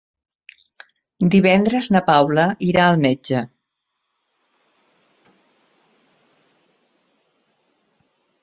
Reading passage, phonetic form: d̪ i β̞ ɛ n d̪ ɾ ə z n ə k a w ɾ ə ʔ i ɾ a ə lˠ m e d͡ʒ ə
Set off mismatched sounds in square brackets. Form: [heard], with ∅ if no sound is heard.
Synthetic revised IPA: d̪ i β̞ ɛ n d̪ ɾ ə z n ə [p] a w [l] ə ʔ i ɾ a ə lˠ m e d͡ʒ ə